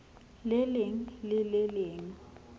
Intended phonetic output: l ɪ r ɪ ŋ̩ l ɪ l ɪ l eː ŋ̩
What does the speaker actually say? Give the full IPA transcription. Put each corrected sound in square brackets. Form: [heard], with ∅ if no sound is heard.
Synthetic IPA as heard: l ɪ [l] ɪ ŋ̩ l ɪ l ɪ l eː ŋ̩